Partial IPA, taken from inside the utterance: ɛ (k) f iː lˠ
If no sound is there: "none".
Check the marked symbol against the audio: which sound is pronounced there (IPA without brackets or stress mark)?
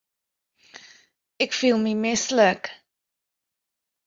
k